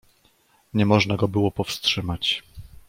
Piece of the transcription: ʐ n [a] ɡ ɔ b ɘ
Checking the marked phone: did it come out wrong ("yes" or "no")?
no